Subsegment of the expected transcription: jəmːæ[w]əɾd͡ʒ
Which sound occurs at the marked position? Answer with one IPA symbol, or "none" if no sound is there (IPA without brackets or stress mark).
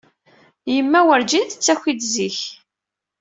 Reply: w